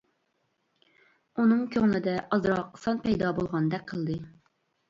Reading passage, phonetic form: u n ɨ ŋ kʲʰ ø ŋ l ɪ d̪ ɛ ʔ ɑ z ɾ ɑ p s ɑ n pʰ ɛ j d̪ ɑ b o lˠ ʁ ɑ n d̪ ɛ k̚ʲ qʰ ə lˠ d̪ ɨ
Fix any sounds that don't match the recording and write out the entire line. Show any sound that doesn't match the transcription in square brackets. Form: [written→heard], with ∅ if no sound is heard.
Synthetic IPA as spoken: u n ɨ ŋ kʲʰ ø ŋ l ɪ d̪ ɛ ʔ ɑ z ɾ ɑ [p→q] s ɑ n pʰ ɛ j d̪ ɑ b o lˠ ʁ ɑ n d̪ ɛ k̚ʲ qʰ ə lˠ d̪ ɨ